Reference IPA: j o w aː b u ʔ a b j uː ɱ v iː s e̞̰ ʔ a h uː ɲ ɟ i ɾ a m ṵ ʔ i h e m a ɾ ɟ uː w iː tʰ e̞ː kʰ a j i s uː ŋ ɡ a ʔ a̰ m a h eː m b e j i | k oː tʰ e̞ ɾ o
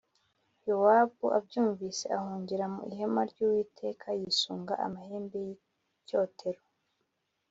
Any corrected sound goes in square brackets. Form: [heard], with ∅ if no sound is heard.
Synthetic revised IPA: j o w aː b u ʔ a b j uː ɱ v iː s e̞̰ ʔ a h uː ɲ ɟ i ɾ a m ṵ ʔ i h e m a ɾ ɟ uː w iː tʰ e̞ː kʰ a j i s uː ŋ ɡ a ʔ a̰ m a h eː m b e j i | [c] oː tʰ e̞ ɾ o